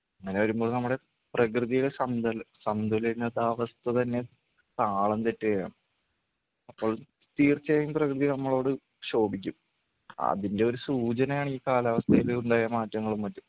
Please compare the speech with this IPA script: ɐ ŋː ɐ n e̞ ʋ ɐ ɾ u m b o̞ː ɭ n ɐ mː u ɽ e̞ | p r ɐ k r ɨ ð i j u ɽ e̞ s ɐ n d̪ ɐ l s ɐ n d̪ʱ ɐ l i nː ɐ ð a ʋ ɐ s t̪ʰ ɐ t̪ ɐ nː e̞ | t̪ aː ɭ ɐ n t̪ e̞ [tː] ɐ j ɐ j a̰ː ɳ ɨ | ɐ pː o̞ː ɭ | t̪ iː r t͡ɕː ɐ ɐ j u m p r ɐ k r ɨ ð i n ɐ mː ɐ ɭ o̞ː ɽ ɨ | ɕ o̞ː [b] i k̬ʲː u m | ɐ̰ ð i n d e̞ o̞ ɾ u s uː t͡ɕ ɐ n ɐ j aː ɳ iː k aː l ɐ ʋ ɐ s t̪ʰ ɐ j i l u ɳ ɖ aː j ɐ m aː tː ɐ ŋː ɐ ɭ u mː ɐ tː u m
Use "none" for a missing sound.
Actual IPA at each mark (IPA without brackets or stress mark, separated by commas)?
tː, b